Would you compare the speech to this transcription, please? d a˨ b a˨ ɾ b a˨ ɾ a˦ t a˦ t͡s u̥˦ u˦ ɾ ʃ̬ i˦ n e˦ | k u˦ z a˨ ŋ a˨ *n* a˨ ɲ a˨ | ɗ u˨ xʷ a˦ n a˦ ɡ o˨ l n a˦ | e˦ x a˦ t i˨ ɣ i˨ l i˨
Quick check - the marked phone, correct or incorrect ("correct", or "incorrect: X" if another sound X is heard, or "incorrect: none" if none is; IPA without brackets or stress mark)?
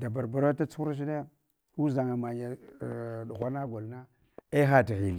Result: incorrect: m